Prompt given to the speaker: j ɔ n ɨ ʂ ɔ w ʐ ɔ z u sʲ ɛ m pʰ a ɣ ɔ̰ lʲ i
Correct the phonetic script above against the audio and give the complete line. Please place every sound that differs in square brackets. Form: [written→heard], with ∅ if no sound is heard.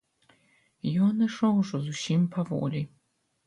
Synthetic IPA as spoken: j ɔ n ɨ ʂ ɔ w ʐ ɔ z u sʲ [ɛ→i] m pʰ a [ɣ→v] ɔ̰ lʲ i

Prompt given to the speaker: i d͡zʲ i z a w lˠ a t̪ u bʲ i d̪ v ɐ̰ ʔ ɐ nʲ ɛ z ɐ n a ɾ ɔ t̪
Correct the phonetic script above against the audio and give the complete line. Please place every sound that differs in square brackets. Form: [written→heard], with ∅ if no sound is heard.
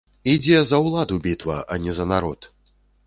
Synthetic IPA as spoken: i d͡zʲ [i→ɛ] z [a→ɐ] w lˠ a [t̪→d̪] u bʲ i [d̪→t̪] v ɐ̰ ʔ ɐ nʲ ɛ z ɐ n a ɾ ɔ t̪

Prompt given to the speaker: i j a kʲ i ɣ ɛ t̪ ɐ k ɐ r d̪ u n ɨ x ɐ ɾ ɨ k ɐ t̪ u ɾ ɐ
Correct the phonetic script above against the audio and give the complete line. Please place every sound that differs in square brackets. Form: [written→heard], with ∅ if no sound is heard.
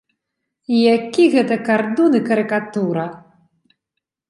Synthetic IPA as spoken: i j a kʲ i ɣ ɛ t̪ ɐ k [ɐ→a] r d̪ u n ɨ [x→k] ɐ ɾ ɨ k [ɐ→a] t̪ u ɾ ɐ

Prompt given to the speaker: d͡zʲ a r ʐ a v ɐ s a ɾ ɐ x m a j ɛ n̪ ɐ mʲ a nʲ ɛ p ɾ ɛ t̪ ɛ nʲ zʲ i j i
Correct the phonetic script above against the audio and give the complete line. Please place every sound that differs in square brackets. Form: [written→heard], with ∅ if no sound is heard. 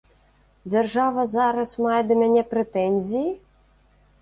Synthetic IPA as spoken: d͡zʲ a r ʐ a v ɐ [s→z] a ɾ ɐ [x→s] m a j ɛ [n̪→d̪] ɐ mʲ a nʲ ɛ p ɾ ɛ t̪ ɛ nʲ zʲ i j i

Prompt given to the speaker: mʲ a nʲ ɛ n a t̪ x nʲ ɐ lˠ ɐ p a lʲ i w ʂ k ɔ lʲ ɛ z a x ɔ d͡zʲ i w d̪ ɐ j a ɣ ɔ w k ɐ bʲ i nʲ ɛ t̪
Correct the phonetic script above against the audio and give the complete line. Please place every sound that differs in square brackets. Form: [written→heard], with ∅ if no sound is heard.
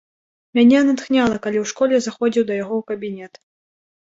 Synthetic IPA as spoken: mʲ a nʲ ɛ n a t̪ x nʲ [ɐ→a] lˠ ɐ [p→k] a lʲ i w ʂ k ɔ lʲ ɛ z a x ɔ d͡zʲ i w d̪ ɐ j a ɣ ɔ w k ɐ bʲ i nʲ ɛ t̪

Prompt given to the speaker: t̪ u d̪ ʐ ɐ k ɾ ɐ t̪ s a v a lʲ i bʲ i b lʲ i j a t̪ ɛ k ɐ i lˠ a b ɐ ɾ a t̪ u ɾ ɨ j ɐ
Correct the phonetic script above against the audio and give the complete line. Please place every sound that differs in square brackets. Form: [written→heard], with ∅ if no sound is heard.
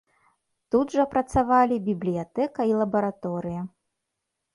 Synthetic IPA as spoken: t̪ u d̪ ʐ ɐ [k→p] ɾ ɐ t̪ s a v a lʲ i bʲ i b lʲ i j a t̪ ɛ k ɐ i lˠ [a→ɐ] b ɐ ɾ a t̪ [u→ɔ] ɾ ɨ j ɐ

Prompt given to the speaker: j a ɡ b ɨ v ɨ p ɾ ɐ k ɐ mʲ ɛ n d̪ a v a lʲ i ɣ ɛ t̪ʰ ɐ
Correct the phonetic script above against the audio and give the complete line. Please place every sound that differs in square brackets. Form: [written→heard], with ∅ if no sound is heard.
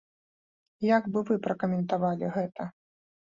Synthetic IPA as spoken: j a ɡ b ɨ v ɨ p ɾ ɐ k ɐ mʲ ɛ n [d̪→t̪] a v a lʲ i ɣ ɛ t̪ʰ ɐ

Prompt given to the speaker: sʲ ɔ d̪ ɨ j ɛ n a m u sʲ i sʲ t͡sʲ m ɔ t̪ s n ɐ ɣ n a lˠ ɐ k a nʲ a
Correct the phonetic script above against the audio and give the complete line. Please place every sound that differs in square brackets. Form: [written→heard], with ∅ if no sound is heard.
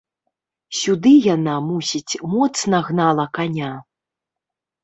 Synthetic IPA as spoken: sʲ [ɔ→u] d̪ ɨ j [ɛ→a] n a m u sʲ i [sʲ→∅] t͡sʲ m ɔ t̪ s n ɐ ɣ n a lˠ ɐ k a nʲ a

